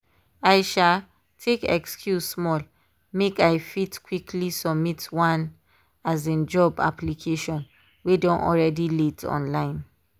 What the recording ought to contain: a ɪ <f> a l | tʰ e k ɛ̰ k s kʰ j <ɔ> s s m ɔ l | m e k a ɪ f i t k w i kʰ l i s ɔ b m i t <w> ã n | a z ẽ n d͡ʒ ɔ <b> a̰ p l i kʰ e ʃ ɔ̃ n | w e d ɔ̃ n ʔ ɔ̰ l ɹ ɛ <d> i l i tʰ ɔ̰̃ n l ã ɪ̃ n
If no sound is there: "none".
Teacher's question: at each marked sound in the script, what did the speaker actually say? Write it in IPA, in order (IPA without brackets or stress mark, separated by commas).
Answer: ʃ, u, w, b, d